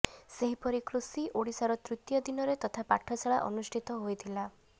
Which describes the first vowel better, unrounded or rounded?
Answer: unrounded